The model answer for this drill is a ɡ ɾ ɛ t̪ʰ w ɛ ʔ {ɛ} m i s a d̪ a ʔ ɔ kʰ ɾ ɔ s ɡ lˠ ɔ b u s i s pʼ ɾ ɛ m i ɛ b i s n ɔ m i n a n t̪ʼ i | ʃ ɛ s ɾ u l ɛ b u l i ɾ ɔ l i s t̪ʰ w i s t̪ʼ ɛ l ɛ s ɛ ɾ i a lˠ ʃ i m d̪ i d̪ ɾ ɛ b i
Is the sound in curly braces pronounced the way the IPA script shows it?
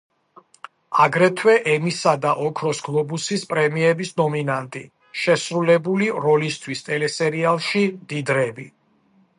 yes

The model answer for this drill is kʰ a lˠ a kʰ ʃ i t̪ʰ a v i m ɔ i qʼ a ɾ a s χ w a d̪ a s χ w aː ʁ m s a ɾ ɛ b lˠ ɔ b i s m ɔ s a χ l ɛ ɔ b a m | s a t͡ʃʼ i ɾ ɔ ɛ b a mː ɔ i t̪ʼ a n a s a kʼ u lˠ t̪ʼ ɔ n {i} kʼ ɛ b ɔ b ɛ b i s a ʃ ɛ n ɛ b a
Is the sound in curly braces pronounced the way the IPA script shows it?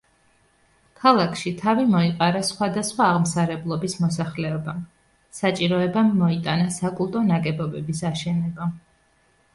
no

